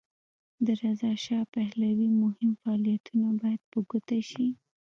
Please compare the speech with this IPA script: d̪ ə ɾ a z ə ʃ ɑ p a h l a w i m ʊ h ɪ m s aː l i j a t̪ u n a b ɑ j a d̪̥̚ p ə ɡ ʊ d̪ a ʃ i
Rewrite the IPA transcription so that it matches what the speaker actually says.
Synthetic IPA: d̪ ə ɾ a z ɑ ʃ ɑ p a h l a w i m ʊ h ɪ m f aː l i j a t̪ u n a b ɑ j a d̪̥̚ p ə ɡ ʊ t̪ a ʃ i